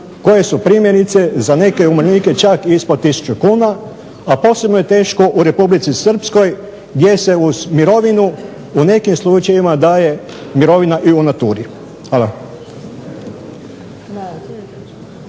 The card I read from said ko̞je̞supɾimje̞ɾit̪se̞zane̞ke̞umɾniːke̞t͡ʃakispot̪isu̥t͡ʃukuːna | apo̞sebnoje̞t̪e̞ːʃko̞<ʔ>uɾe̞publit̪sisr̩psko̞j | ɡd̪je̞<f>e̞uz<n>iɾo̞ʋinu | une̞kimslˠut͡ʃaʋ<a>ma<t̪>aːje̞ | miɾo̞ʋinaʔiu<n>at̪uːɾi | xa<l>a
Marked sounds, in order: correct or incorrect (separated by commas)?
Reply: correct, incorrect, incorrect, incorrect, incorrect, correct, correct